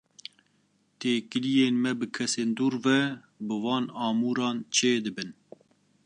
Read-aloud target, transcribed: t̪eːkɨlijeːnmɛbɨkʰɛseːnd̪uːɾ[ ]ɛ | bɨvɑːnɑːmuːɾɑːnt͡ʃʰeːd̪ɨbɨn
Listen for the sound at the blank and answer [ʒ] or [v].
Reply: v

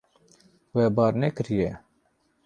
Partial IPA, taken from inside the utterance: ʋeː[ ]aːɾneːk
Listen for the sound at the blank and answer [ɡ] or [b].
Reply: b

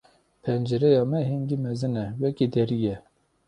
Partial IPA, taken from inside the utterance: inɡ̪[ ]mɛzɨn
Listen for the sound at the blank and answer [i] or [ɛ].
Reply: i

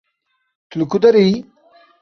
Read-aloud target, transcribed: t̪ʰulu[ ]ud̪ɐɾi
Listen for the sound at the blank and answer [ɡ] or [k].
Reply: k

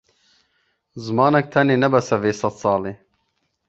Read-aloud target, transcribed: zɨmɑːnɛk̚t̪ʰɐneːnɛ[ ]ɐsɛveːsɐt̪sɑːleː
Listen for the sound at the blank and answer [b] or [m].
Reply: b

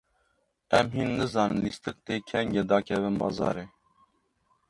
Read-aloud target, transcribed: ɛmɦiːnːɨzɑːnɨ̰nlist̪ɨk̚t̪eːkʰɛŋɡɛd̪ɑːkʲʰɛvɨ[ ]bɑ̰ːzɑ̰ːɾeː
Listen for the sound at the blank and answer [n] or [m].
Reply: n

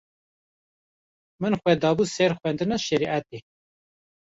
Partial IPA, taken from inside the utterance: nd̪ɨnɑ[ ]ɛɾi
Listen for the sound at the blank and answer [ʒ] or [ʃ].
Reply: ʃ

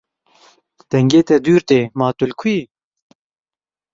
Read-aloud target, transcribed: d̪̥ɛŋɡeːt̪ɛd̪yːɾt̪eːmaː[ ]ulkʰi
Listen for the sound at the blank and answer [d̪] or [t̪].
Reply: t̪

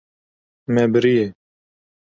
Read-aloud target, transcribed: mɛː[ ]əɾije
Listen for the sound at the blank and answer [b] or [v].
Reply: b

